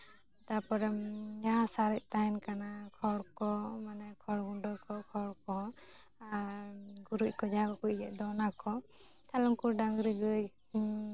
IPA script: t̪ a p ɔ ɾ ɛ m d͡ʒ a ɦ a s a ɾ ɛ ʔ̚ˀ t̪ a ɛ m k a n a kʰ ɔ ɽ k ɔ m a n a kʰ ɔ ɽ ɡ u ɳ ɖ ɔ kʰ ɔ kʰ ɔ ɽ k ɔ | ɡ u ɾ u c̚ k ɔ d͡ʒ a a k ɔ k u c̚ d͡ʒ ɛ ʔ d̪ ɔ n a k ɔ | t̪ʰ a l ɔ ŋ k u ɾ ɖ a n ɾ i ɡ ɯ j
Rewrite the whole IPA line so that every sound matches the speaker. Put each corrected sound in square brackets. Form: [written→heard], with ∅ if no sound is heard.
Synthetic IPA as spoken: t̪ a p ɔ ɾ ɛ m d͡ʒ a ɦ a s a ɾ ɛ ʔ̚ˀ t̪ a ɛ [m→n] k a n a kʰ ɔ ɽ k ɔ m a n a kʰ ɔ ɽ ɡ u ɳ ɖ ɔ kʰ ɔ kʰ ɔ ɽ k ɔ | ɡ u ɾ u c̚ k ɔ d͡ʒ a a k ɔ k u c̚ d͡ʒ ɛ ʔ d̪ ɔ n a k ɔ | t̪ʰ a l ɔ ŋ k u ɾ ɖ a [n→ŋ] ɾ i ɡ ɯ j

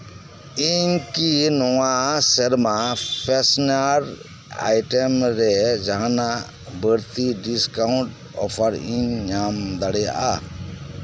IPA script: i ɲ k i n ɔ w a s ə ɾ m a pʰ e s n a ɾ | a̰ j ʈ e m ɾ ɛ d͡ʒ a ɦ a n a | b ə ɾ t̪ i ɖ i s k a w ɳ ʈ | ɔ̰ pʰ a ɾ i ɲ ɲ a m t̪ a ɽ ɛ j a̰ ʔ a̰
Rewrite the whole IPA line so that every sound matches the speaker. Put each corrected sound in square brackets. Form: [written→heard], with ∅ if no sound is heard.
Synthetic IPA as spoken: i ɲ k i n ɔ w a s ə ɾ m a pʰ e s n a ɾ | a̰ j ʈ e m ɾ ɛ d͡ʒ a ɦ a n a | b ə ɾ t̪ i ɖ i s k a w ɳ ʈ | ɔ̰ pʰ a ɾ i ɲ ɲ a m [t̪→d̪] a ɽ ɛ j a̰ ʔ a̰

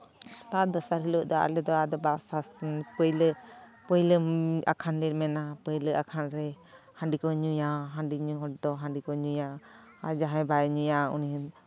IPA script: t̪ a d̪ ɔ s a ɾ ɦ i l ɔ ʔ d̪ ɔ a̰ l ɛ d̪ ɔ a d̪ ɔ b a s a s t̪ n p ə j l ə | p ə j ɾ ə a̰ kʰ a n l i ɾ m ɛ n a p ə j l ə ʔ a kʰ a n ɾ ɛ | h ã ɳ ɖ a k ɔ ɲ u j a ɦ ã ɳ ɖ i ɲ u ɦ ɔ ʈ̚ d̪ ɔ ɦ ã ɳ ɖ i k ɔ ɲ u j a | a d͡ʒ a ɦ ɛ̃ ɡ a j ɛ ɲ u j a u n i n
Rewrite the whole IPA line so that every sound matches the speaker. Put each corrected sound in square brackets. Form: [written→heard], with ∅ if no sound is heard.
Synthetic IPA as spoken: t̪ a d̪ ɔ s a ɾ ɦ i l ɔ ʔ d̪ ɔ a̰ l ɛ d̪ ɔ a d̪ ɔ b a s a s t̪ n p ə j l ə | p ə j [ɾ→l] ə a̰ kʰ a n l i ɾ m ɛ n a p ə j l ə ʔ a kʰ a n ɾ ɛ | h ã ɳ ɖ [a→i] k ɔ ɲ u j a ɦ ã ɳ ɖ i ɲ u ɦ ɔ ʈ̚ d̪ ɔ ɦ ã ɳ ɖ i k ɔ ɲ u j a | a d͡ʒ a ɦ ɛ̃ [ɡ→b] a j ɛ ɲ u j a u n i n

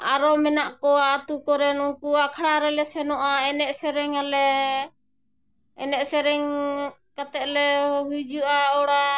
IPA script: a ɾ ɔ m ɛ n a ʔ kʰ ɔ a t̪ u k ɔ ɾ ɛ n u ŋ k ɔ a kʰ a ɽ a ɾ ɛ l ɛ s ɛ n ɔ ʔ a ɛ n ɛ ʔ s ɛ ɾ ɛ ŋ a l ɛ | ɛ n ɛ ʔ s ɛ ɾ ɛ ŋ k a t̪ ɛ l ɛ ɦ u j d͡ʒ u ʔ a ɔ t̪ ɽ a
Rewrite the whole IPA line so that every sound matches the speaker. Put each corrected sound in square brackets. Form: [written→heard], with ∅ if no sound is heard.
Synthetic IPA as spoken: a ɾ ɔ m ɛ n a ʔ [kʰ→k] ɔ a t̪ u k ɔ ɾ ɛ n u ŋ k [ɔ→u] a kʰ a ɽ a ɾ ɛ l ɛ s ɛ n ɔ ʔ a ɛ n ɛ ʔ s ɛ ɾ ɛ ŋ a l ɛ | ɛ n ɛ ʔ s ɛ ɾ ɛ ŋ k a t̪ ɛ l ɛ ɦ u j d͡ʒ u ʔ a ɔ [t̪→∅] ɽ a

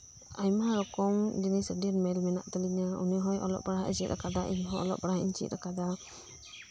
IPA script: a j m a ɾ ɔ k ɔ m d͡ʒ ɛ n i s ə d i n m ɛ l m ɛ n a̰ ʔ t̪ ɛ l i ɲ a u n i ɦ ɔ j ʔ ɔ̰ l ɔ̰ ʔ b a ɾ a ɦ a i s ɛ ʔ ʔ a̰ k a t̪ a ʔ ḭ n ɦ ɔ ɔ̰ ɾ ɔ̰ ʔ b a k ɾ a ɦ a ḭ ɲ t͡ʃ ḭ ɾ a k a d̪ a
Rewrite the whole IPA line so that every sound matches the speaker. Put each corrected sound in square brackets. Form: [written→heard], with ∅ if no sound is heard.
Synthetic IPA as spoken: a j m a ɾ ɔ k ɔ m d͡ʒ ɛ n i s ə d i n m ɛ l m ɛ n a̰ ʔ t̪ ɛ l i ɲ a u n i ɦ ɔ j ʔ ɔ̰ l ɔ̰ ʔ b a ɾ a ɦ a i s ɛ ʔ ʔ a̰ k a [t̪→d̪] a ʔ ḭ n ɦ ɔ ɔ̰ [ɾ→l] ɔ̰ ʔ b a [k→∅] ɾ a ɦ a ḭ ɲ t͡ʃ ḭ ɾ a k a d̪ a

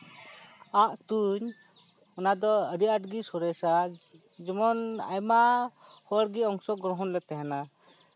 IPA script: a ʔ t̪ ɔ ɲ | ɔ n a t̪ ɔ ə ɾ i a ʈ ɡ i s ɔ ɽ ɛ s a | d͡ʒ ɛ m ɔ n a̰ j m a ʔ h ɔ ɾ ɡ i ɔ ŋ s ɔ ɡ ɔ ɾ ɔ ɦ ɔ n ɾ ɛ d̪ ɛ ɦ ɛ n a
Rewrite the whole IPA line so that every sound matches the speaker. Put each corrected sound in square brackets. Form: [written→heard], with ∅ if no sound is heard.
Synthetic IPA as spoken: a ʔ t̪ [ɔ→u] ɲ | ɔ n a [t̪→d̪] ɔ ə ɾ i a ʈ ɡ i s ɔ [ɽ→ɾ] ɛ s a | d͡ʒ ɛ m ɔ n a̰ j m a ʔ h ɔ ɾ ɡ i ɔ ŋ s ɔ ɡ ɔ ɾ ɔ ɦ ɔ n [ɾ→l] ɛ [d̪→t̪] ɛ ɦ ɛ n a

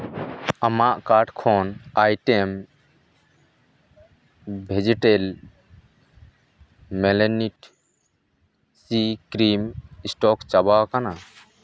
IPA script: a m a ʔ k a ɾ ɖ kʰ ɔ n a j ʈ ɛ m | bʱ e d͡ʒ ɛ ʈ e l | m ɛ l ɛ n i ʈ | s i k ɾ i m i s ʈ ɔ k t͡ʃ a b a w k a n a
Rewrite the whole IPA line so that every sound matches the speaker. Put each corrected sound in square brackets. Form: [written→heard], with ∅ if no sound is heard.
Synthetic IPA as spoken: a m a ʔ k a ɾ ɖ kʰ ɔ n a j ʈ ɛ m | bʱ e d͡ʒ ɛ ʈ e l | m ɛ l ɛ n i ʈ | s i k ɾ i m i s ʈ ɔ k t͡ʃ a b a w k a n a

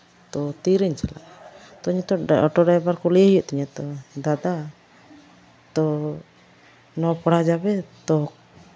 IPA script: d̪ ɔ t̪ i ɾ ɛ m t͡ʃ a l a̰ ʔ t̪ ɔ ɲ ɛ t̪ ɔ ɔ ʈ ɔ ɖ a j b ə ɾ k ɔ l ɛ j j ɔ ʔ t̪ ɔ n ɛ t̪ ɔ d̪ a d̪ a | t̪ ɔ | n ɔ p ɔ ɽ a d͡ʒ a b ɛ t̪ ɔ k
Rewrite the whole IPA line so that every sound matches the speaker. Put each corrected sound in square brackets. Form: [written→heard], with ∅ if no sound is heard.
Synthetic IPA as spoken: [d̪→t̪] ɔ t̪ i ɾ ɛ [m→ɲ] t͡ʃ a l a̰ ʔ t̪ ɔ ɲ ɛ t̪ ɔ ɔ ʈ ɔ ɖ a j b [ə→a] ɾ k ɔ l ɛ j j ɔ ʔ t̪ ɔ [n→ɲ] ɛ t̪ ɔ d̪ a d̪ a | t̪ ɔ | n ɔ p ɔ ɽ a d͡ʒ a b ɛ t̪ ɔ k

